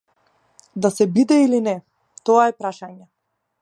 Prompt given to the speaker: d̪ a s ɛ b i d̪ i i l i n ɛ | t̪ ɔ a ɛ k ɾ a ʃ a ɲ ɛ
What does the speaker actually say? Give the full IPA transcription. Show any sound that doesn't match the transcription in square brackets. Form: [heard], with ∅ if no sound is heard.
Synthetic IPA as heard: d̪ a s ɛ b i d̪ [ɛ] i l i n ɛ | t̪ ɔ a ɛ [p] ɾ a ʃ a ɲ ɛ